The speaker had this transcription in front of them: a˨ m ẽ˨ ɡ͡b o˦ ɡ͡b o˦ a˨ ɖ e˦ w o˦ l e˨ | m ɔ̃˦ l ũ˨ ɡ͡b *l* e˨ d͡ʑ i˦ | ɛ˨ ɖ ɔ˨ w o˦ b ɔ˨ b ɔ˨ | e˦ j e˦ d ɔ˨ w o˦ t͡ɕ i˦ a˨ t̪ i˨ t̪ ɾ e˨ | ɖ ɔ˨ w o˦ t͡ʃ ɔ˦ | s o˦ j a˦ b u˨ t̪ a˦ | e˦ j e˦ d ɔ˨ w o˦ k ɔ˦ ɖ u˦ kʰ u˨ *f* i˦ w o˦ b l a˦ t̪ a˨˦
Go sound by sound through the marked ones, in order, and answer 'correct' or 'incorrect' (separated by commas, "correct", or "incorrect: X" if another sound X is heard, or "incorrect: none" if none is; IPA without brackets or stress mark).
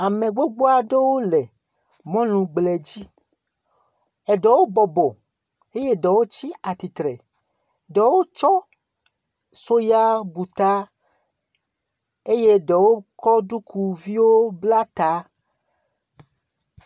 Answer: correct, incorrect: v